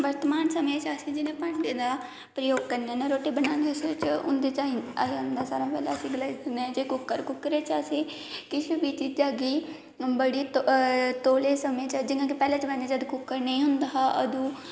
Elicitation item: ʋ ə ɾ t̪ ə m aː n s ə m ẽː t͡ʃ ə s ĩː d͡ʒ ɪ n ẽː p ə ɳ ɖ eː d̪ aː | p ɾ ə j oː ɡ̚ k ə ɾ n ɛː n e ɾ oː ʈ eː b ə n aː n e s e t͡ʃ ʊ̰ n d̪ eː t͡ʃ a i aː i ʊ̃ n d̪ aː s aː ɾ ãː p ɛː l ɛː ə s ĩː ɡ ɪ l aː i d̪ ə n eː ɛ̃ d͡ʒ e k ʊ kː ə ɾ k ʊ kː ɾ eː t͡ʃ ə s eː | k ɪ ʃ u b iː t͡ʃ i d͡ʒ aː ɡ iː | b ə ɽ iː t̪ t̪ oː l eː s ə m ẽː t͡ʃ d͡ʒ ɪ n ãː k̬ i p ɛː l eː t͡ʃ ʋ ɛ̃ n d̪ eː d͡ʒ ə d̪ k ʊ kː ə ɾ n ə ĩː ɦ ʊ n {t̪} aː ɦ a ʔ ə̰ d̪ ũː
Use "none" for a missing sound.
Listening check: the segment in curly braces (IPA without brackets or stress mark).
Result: d̪